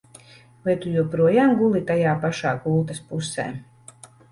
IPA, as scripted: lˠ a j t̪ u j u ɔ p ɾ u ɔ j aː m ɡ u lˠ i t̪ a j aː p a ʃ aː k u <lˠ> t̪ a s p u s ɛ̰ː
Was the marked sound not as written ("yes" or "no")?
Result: no